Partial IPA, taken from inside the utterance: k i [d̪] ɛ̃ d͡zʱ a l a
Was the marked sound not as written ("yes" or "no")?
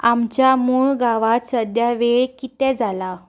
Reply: yes